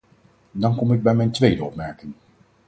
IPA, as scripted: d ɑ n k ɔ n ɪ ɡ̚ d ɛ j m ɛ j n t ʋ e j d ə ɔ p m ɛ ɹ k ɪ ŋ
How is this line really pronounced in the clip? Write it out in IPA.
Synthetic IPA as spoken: d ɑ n k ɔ m ɪ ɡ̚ b ɛ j m ɛ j n t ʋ e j d ə ɔ p m ɛ ɹ k ɪ ŋ